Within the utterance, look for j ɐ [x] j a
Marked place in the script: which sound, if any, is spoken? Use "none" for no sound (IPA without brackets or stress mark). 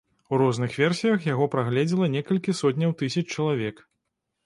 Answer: x